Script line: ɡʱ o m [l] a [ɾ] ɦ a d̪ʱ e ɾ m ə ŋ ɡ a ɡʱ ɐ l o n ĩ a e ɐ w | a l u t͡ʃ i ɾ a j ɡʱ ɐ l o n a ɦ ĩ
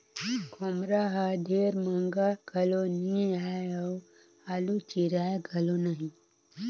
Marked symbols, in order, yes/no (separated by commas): no, no